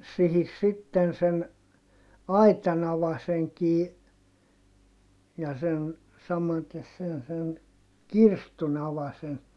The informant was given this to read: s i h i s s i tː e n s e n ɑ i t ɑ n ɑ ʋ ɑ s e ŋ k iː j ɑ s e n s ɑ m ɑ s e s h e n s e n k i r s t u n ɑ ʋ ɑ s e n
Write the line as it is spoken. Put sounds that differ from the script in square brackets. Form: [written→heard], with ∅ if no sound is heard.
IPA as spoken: s i h i s s i tː e n s e n ɑ i t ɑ n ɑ ʋ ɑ s e ŋ k iː j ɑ s e n s ɑ m ɑ [s→t] e s [h→s] e n s e n k i r s t u n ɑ ʋ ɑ s e n